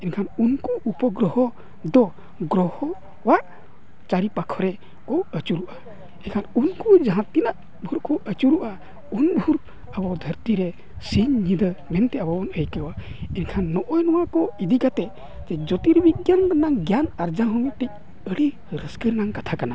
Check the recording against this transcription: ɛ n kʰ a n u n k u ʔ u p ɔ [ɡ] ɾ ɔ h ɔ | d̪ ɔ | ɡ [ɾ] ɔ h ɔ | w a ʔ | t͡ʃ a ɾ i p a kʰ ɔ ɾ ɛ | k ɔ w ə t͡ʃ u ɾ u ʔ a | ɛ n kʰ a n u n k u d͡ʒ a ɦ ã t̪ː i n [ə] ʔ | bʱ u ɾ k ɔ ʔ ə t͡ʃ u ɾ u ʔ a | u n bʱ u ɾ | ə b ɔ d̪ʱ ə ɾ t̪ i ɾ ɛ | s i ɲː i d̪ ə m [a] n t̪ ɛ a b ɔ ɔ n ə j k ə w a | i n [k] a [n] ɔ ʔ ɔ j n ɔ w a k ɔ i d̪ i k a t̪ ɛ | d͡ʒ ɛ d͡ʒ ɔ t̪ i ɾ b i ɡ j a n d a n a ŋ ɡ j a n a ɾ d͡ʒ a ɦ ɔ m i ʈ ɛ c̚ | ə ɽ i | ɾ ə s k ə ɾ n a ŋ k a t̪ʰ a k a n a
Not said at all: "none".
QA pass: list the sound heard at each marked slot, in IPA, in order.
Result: ɡ, ɾ, a, ɛ, kʰ, nː

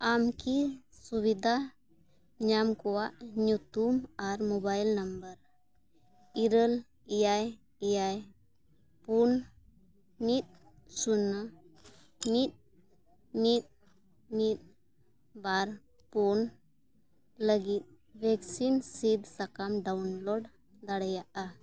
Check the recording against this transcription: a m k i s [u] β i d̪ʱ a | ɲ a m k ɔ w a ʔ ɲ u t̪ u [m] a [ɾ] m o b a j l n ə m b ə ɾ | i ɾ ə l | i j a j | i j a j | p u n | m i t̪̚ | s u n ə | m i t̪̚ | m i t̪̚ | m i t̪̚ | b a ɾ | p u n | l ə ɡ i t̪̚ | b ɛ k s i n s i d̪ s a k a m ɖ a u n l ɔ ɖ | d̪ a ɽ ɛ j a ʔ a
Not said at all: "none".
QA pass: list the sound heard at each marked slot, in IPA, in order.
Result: u, m, ɾ

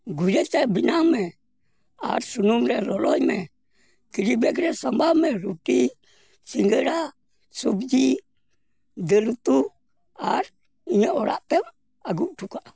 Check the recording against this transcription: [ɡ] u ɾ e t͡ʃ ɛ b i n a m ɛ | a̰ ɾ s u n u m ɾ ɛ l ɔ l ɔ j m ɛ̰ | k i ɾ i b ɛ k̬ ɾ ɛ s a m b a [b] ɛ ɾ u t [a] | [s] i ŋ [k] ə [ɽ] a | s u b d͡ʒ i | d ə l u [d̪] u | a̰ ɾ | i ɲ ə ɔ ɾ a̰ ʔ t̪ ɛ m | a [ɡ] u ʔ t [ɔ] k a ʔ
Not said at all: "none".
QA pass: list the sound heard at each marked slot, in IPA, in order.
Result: ɡ, m, i, s, ɡ, ɾ, t̪, ɡ, u

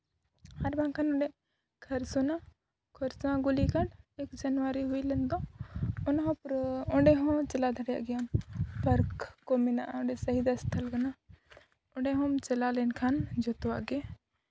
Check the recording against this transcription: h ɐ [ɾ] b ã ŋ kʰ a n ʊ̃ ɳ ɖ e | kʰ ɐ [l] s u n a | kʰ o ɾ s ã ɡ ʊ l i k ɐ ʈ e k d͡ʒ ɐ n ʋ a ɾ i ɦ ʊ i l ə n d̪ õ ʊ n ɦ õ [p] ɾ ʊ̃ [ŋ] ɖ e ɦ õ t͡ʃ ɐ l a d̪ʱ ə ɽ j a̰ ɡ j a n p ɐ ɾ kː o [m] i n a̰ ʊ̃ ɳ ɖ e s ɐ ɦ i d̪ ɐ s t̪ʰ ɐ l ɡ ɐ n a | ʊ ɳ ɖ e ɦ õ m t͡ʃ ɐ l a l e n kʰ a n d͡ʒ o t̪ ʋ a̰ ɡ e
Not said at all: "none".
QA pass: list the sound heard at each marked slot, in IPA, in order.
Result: ɾ, ɾ, p, ɳ, m

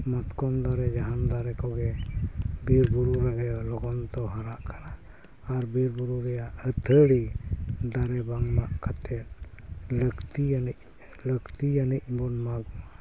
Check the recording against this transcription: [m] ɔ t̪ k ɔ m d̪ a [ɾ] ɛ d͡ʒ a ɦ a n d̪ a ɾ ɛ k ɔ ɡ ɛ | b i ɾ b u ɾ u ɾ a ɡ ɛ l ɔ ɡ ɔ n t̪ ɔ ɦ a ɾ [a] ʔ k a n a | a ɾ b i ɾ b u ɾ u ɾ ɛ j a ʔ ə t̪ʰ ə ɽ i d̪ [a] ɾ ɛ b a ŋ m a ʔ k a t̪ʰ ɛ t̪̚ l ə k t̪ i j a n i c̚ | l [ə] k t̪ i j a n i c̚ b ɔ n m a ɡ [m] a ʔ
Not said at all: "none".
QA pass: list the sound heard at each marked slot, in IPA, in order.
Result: m, ɾ, a, a, ə, m

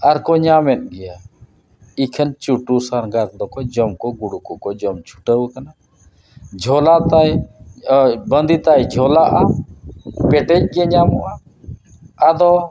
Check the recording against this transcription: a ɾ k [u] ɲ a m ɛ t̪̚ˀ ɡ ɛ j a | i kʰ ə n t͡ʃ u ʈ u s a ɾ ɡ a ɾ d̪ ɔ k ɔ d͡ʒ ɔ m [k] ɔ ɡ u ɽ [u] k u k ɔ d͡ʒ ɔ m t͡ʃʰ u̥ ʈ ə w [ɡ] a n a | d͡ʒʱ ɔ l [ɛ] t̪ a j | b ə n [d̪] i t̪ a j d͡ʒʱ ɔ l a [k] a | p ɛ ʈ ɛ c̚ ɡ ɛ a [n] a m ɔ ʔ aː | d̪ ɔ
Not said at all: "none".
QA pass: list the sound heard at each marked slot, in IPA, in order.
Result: ɔ, k, u, k, a, d̪, ʔ, ɲ

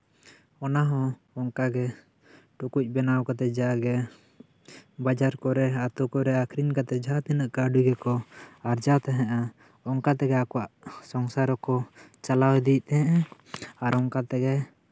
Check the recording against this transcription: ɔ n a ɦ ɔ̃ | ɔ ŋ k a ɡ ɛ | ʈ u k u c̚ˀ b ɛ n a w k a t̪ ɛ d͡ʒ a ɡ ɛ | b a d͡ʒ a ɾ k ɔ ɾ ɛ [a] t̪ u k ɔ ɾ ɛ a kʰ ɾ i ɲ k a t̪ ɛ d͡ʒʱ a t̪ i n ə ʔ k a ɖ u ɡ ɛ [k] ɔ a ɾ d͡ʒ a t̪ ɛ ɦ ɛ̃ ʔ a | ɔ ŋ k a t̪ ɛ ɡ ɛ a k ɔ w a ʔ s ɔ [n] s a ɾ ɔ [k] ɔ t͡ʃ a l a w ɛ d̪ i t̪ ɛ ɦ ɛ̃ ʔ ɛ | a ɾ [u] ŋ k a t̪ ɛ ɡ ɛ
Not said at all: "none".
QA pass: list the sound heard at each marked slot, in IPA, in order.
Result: a, k, ŋ, k, ɔ

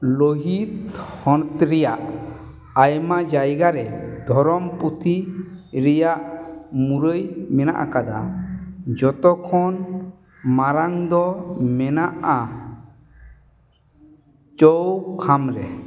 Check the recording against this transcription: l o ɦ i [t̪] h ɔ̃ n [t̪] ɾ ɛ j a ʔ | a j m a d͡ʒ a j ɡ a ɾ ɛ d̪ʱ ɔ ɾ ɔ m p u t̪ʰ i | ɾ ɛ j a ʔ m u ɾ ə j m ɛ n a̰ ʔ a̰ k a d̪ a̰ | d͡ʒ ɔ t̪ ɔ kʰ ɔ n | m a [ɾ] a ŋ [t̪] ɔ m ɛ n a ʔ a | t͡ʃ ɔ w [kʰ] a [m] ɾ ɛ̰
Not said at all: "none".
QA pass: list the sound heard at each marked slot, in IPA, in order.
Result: t̪, t̪, ɾ, d̪, kʰ, m

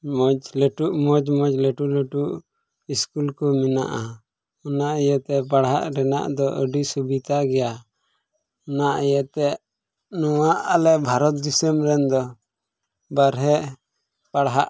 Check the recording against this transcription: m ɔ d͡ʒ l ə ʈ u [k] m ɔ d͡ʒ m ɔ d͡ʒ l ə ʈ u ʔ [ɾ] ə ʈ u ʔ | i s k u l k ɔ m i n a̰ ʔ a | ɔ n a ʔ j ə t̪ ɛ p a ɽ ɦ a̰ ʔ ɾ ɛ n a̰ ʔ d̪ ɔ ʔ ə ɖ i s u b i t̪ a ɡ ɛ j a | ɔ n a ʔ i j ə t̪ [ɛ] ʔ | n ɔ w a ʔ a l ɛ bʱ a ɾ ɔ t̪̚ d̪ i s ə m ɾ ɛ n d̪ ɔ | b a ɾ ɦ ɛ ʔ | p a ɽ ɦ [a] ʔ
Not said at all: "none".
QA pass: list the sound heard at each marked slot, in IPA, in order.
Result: ʔ, l, ɛ, a

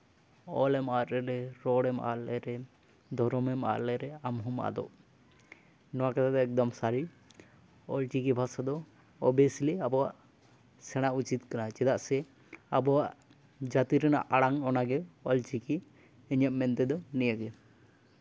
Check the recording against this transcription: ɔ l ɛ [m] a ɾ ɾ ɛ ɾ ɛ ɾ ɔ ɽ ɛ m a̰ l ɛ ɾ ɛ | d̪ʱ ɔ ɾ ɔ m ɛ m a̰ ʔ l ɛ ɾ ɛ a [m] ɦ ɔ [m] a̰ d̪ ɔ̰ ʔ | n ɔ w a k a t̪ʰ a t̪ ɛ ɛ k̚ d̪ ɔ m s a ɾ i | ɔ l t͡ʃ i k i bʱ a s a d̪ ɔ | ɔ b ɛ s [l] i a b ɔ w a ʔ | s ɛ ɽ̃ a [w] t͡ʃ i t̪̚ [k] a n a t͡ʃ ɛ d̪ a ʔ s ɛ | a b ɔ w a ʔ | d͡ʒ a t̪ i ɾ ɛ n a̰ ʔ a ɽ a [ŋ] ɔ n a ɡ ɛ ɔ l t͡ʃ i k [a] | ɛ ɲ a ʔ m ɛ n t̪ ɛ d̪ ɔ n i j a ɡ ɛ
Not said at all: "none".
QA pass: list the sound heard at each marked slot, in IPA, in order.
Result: m, m, m, l, u, k, ŋ, i

